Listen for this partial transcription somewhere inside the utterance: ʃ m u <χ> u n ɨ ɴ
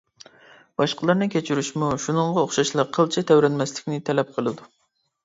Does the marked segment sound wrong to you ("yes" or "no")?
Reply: yes